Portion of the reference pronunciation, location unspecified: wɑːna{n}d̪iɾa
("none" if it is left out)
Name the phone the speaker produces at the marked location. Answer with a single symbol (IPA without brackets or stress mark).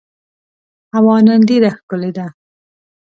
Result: n